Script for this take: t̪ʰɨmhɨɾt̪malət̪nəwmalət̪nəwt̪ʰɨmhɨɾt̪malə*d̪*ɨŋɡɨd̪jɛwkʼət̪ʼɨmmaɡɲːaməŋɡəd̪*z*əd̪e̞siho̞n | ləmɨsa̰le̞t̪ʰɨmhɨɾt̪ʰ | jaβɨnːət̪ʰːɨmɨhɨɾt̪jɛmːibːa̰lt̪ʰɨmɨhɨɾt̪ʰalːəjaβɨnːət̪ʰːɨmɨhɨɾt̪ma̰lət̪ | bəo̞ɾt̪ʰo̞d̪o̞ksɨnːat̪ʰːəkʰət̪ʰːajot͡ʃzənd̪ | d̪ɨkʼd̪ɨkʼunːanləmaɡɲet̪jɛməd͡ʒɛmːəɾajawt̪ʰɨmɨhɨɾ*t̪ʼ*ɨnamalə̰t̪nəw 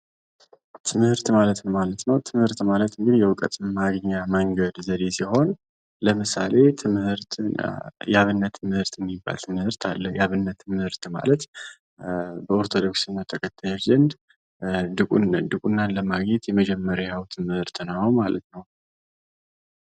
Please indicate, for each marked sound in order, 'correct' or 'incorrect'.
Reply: incorrect, correct, incorrect

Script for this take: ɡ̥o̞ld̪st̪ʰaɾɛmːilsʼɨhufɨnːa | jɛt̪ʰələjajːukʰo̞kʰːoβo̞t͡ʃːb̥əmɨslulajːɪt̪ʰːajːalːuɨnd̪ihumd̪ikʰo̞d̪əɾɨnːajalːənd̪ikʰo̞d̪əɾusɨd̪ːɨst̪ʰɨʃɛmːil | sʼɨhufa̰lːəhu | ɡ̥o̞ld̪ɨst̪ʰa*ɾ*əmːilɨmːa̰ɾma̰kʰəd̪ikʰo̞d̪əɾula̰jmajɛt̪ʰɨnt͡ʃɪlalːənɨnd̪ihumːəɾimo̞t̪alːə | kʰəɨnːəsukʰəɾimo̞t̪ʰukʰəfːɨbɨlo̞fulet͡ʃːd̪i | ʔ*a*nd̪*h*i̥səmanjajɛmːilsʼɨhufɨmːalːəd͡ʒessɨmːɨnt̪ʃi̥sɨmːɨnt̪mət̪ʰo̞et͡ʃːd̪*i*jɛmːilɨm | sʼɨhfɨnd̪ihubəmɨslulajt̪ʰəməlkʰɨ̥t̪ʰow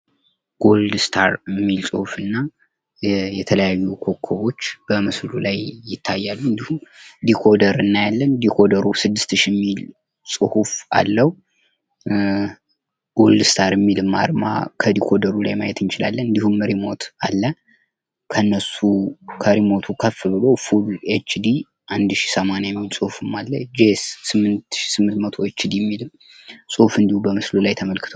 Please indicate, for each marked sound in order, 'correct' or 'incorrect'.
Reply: correct, correct, incorrect, correct

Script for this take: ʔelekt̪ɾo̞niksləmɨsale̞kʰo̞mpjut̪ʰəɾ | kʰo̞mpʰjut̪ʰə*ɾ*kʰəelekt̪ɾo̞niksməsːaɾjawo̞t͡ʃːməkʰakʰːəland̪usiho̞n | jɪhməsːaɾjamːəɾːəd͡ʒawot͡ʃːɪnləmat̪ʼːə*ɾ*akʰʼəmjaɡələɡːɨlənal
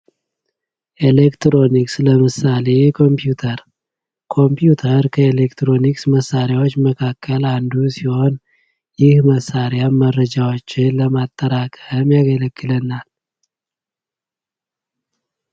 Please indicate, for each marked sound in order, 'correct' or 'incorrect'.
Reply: correct, correct

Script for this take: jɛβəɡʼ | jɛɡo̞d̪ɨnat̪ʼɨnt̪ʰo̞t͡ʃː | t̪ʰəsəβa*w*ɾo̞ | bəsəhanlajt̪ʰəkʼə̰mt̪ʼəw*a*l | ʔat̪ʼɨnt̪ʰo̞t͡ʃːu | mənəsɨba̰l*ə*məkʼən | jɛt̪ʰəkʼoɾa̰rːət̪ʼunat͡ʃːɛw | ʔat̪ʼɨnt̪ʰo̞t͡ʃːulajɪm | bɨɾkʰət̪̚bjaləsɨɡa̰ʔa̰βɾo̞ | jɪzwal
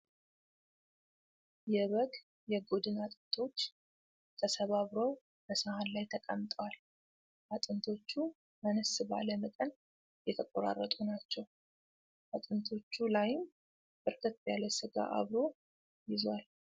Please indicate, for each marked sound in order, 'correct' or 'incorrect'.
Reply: incorrect, correct, correct

